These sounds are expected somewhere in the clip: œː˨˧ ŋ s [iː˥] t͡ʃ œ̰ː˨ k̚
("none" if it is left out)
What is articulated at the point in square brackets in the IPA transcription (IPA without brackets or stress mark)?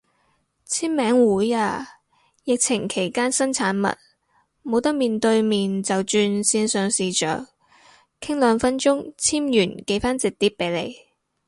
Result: iː˨